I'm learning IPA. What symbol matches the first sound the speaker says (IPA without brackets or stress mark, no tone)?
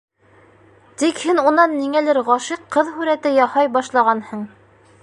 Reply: t̪